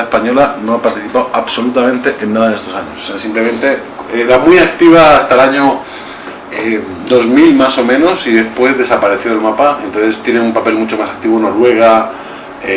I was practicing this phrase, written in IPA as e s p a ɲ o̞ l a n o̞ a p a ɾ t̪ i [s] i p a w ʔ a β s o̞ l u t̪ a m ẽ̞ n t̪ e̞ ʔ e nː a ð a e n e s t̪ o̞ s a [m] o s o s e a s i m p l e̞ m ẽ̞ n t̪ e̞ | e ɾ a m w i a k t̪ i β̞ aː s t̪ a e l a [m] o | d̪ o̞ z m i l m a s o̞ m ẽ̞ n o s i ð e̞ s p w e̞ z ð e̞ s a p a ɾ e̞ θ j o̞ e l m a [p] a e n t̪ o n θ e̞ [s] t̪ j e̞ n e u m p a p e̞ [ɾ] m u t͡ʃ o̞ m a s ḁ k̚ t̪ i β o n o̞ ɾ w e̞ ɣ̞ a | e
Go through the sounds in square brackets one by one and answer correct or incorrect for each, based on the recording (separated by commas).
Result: incorrect, incorrect, incorrect, correct, correct, incorrect